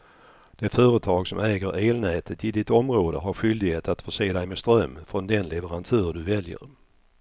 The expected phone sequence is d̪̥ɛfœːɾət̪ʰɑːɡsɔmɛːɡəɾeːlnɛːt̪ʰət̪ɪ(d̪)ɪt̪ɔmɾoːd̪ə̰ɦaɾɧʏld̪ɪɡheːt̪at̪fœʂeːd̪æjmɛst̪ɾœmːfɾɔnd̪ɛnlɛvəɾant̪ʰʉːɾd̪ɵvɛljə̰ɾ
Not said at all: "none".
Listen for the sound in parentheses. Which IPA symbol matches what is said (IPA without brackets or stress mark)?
d̪